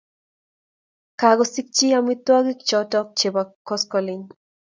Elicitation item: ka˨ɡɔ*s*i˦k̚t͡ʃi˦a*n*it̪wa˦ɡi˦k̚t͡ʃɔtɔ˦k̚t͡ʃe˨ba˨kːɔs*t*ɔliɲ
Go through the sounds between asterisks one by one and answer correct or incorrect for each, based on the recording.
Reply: correct, incorrect: m, incorrect: k

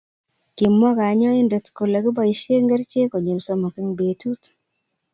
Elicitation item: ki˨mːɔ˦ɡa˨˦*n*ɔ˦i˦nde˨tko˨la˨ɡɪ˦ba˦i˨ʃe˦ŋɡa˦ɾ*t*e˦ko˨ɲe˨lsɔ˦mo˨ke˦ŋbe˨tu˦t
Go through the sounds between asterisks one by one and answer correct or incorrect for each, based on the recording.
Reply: incorrect: ɲ, incorrect: t͡ʃ

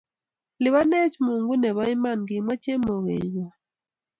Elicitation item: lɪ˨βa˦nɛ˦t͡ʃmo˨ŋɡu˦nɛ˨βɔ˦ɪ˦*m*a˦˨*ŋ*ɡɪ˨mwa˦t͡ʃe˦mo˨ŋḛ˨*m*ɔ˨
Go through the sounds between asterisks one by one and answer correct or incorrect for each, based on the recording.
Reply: correct, incorrect: n, incorrect: ɲ

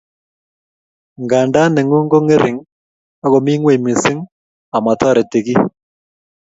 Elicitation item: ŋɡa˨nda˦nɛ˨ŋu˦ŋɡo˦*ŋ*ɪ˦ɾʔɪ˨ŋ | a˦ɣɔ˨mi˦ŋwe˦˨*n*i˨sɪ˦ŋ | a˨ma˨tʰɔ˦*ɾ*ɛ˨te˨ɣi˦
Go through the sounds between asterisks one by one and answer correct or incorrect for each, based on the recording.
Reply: correct, incorrect: m, correct

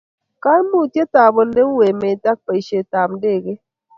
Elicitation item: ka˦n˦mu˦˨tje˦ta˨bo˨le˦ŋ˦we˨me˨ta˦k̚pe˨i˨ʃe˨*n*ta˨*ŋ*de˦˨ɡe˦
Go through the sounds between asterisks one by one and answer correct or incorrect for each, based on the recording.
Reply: incorrect: none, incorrect: m

